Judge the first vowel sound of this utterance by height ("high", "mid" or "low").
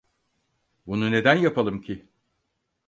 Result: high